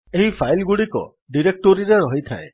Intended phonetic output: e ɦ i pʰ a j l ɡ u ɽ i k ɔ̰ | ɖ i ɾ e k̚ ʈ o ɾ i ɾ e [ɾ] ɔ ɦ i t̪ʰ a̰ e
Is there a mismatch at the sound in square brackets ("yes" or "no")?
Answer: no